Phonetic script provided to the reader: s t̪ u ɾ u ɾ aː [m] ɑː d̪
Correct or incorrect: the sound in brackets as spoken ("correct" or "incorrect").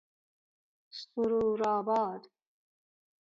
incorrect